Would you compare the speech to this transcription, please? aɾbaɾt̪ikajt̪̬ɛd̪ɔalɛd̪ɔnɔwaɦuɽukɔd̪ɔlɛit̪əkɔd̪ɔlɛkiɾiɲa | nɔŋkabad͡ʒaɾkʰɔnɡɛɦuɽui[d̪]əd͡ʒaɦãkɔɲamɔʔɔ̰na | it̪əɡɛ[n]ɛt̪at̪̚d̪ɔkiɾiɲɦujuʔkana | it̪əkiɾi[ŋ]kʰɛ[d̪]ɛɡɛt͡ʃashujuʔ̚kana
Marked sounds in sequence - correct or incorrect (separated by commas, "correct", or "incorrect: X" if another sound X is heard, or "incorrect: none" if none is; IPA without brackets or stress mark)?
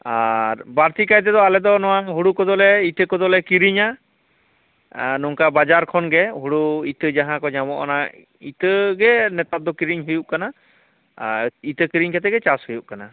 incorrect: t̪, correct, incorrect: ɲ, incorrect: t̪